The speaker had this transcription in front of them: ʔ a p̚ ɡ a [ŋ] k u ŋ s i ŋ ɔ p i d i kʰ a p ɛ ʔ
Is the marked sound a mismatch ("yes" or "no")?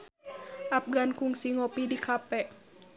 yes